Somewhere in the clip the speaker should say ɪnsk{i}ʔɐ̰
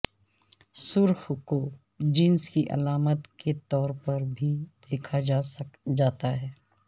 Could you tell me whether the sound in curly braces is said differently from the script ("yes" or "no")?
no